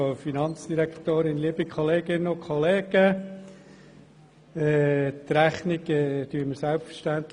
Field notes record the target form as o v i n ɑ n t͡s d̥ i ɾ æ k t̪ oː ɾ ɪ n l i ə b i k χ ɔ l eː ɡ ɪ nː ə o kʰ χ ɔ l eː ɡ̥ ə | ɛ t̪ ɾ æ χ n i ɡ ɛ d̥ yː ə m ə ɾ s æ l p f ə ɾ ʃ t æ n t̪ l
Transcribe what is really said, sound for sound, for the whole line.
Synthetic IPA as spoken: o f i n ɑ n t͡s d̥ i ɾ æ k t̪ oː ɾ ɪ n l i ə b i k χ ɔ l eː ɡ ɪ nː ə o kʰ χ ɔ l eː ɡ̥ ə | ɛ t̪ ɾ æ χ n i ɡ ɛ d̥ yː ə m ə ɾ s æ l p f ə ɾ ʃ t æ n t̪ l

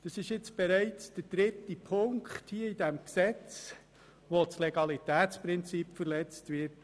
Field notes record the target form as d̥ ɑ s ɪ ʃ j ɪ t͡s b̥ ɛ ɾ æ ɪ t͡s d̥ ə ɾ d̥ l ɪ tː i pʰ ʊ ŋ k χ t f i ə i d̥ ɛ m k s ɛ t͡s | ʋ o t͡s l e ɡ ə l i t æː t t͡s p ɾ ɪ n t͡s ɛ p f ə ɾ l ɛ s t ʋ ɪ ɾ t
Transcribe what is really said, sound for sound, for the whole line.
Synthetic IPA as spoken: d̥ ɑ s ɪ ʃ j ɪ t͡s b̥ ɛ ɾ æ ɪ t͡s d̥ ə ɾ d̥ ɾ ɪ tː i pʰ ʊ ŋ k χ t h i ə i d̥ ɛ m k s ɛ t͡s | ʋ o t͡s l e ɡ ɑ l i t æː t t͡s p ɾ ɪ n t͡s i p f ə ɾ l ɛ t͡s t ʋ ɪ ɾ t

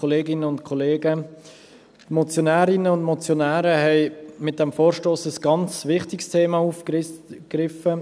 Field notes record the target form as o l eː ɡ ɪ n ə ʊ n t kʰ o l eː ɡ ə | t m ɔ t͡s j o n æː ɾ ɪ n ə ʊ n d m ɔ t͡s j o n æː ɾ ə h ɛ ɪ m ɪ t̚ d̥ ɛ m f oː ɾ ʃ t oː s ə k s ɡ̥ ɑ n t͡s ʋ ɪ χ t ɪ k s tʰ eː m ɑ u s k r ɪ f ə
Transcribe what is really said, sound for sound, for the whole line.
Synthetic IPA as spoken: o l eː ɡ ɪ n ə ʊ n t kʰ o l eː ɡ ə | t m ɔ t͡s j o n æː ɾ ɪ n ə ʊ n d m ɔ t͡s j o n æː ɾ ə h ɛ ɪ m ɪ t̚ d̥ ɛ m f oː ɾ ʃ t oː s ə s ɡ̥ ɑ n t͡s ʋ ɪ χ t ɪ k s tʰ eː m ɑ u f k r ɪ f ə

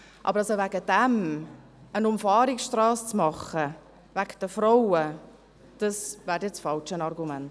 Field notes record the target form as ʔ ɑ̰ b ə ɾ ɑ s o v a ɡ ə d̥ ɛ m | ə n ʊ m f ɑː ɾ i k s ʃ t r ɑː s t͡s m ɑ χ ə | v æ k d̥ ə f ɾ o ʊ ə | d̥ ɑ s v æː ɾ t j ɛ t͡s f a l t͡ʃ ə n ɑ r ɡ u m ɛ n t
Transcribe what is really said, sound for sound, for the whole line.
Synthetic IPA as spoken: ʔ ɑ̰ b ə ɾ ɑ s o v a ɡ ə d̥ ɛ m | ə n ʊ m f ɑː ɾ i k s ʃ t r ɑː s t͡s m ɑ χ ə | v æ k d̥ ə f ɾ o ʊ ə | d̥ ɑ s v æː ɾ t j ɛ t͡s f ɑ l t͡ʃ ə n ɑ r ɡ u m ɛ n t

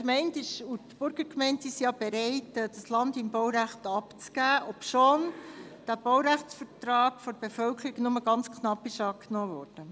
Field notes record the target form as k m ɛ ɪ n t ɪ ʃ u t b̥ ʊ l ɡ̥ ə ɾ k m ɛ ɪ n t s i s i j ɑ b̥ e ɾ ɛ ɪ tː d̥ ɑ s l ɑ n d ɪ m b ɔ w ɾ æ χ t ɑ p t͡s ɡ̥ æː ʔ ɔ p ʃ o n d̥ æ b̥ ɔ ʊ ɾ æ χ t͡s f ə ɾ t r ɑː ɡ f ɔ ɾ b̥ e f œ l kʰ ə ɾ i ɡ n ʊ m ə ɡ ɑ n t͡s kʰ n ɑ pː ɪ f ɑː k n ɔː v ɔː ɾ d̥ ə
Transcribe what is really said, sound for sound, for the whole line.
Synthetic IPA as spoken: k m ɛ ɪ n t ɪ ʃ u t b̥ ʊ ɾ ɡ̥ ə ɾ k m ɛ ɪ n t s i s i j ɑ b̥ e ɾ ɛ ɪ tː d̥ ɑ s l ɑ n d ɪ m b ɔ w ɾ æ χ t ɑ p t͡s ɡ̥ æː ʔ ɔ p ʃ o n d̥ æ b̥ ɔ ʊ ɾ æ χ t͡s f ə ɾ t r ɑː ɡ f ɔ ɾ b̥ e f œ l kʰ ə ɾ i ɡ n ʊ m ə ɡ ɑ n t͡s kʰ n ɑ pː ɪ ʃ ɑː k n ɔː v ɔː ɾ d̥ ə

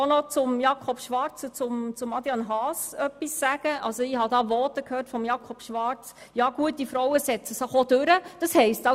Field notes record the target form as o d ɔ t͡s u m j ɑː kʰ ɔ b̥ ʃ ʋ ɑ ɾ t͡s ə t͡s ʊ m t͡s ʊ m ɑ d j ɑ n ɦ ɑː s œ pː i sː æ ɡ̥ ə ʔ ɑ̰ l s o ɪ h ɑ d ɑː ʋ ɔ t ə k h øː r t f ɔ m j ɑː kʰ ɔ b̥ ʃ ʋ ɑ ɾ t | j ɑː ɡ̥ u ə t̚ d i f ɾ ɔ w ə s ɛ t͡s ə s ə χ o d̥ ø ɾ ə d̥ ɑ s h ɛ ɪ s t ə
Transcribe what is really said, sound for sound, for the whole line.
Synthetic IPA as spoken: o n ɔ t͡s ʊ m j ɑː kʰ ɔ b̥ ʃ ʋ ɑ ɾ t͡s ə t͡s ʊ m t͡s ʊ m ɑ d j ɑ n ɦ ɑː s œ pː i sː æ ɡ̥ ə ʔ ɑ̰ l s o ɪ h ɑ d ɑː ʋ ɔ t ə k h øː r t f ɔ m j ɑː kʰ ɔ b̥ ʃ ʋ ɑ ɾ t͡s | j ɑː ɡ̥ u ə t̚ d i f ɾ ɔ w ə s ɛ t͡s ə s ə χ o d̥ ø ɾ ə d̥ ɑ s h ɛ ɪ s t ɑ

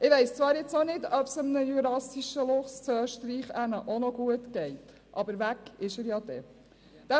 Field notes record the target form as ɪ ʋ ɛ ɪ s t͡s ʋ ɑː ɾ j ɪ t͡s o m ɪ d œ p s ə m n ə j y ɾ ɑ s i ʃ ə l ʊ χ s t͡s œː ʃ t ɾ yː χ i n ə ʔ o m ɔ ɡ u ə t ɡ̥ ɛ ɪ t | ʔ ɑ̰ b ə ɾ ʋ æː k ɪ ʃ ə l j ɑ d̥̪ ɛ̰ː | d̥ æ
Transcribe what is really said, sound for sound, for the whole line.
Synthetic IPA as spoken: ɪ ʋ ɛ ɪ s t͡s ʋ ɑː ɾ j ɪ t͡s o n ɪ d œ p s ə m n ə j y ɾ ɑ s i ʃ ə l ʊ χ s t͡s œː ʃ t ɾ iː χ æ n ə ʔ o n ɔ ɡ u ə t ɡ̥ ɛ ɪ t | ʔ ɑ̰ b ə ɾ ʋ æ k ɪ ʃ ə ɾ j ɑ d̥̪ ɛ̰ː | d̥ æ

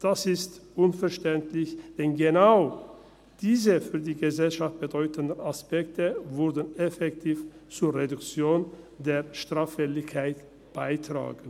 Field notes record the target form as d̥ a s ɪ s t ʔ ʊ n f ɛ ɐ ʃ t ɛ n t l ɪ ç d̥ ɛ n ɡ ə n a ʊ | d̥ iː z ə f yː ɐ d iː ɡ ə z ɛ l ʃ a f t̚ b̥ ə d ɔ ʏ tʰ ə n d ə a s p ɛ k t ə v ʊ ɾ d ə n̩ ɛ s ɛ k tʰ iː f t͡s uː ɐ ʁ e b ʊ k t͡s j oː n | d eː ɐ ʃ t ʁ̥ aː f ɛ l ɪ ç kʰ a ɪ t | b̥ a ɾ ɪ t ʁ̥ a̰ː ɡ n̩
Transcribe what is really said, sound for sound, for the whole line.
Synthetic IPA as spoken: d̥ a s ɪ s t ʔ ʊ n f ɛ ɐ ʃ t ɛ n t l ɪ ç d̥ ɛ n ɡ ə n a ʊ | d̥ iː z ə f yː ɐ d iː ɡ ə z ɛ l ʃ a f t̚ b̥ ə d ɔ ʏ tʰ ə n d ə a s p ɛ k t ə v ʊ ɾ d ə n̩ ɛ f ɛ k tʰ iː f t͡s uː ɐ ʁ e d ʊ k t͡s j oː n | d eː ɐ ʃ t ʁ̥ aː f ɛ l ɪ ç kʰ a ɪ t | b̥ a ɪ t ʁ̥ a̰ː ɡ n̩

